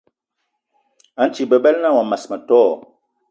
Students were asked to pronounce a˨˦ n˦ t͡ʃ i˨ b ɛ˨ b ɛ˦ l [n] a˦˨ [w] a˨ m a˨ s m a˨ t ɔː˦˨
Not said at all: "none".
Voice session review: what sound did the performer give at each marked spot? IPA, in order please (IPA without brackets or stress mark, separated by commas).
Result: n, w